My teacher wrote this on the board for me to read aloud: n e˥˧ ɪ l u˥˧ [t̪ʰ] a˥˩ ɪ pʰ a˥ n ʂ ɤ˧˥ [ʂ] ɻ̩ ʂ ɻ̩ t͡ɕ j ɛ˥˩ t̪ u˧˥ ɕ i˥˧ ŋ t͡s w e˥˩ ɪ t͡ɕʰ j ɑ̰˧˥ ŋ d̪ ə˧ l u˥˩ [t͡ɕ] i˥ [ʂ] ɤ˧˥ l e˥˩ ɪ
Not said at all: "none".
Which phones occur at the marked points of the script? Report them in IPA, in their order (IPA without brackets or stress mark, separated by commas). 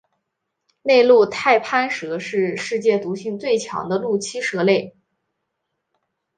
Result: t̪ʰ, ʂ, t͡ɕʰ, ʂ